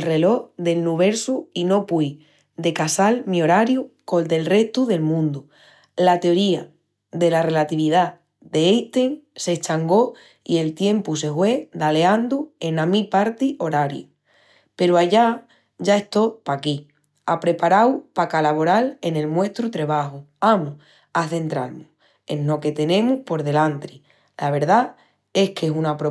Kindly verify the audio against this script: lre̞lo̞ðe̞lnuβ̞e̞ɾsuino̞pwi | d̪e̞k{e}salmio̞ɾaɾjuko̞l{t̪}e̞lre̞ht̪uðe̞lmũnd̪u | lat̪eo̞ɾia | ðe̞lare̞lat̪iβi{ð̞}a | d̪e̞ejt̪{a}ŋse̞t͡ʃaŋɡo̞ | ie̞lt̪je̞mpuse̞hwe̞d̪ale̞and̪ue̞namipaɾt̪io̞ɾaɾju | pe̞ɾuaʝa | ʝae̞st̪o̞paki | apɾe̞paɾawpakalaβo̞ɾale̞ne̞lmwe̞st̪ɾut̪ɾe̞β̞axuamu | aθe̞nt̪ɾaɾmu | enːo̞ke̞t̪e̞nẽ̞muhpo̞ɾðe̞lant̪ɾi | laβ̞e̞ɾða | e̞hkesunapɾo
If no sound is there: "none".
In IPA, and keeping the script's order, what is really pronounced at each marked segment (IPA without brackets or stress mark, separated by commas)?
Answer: a, d̪, ð̞, e